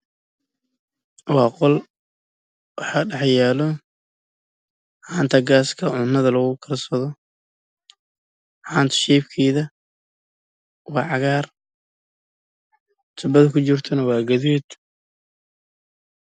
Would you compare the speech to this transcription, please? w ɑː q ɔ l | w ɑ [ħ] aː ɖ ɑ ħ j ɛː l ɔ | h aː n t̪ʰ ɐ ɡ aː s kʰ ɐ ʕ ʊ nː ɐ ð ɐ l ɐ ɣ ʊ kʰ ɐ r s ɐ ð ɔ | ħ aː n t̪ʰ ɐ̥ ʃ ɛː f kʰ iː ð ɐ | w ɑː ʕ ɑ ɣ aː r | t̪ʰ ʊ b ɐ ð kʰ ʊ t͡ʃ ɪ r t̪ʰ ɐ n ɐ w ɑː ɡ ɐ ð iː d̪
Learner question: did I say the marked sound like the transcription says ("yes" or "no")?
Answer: yes